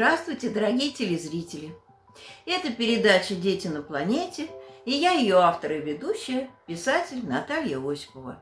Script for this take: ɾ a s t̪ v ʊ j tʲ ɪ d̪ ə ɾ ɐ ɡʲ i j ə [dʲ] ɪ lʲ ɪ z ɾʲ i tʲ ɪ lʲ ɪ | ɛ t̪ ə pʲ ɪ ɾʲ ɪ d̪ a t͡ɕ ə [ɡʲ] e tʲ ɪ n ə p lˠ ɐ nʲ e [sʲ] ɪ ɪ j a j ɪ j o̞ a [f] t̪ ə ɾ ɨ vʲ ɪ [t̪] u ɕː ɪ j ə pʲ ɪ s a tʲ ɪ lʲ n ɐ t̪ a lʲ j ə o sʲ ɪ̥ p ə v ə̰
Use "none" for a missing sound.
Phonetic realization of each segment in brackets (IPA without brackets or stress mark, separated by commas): tʲ, dʲ, tʲ, f, d̪